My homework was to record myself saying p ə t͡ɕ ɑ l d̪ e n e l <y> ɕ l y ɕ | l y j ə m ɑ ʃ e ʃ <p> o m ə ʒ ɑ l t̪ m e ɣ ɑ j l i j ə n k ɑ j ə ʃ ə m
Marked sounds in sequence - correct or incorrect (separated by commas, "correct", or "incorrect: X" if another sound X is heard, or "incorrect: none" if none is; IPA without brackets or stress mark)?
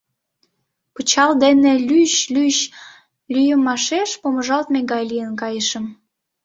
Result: correct, correct